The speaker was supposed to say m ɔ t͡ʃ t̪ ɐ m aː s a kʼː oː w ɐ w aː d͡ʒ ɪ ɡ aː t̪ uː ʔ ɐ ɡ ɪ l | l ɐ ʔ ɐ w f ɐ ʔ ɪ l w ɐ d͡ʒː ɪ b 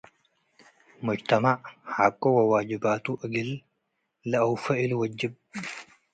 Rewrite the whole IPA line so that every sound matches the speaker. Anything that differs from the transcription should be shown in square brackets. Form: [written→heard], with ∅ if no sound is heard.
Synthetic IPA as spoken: m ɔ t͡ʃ t̪ ɐ m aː [s→h] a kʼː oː w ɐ w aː d͡ʒ ɪ [ɡ→b] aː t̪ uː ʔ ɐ ɡ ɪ l | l ɐ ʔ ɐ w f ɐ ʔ ɪ l w ɐ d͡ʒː ɪ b